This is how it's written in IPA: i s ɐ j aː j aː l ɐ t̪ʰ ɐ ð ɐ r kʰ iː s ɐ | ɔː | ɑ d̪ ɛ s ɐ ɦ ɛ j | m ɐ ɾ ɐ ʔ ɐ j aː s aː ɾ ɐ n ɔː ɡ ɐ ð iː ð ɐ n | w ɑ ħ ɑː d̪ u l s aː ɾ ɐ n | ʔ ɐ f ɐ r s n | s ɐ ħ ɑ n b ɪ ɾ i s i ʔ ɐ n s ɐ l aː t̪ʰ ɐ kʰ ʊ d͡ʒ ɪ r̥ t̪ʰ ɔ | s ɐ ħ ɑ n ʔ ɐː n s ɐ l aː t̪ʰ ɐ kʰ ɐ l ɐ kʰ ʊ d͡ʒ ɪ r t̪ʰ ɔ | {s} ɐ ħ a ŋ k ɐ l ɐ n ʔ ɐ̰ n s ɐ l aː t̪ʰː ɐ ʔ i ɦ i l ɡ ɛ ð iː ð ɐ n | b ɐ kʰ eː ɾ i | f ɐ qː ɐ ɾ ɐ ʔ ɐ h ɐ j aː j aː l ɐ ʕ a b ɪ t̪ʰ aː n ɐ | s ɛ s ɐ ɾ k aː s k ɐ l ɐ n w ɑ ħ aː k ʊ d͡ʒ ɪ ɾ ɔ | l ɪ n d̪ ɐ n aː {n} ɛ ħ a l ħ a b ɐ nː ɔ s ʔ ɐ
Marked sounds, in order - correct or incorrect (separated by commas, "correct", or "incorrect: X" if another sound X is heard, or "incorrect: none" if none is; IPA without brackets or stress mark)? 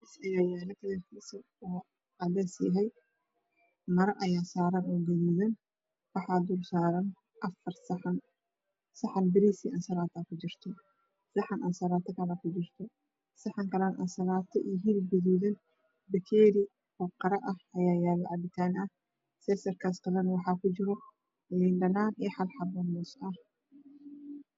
correct, correct